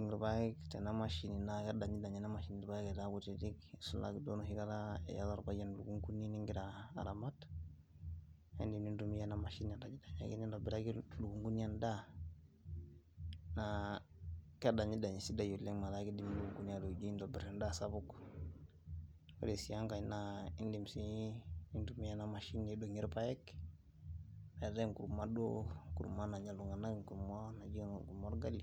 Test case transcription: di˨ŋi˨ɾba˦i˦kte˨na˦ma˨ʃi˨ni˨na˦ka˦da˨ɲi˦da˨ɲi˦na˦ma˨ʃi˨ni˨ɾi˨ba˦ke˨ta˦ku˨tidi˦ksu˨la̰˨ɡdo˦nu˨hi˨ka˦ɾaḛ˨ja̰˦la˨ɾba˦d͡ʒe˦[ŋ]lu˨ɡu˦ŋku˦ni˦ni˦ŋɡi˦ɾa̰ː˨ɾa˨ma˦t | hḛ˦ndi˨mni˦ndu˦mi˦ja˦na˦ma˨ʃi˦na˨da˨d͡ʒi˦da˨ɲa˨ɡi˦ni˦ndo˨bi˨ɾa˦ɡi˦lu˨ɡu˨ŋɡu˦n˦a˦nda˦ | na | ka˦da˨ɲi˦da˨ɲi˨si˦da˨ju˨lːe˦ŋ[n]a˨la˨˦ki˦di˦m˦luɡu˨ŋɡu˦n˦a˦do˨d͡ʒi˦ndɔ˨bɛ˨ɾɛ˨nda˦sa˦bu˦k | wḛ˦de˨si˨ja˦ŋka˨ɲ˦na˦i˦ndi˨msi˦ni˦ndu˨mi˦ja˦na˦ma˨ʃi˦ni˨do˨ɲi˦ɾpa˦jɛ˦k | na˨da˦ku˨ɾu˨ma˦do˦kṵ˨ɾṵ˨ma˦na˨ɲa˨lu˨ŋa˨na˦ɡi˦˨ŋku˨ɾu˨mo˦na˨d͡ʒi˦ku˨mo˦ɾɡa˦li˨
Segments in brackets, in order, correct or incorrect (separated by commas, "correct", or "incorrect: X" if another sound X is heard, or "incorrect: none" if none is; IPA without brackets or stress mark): incorrect: n, incorrect: m